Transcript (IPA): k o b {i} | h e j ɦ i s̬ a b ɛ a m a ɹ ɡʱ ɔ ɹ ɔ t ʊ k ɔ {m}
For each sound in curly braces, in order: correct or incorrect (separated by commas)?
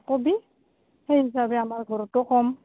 correct, correct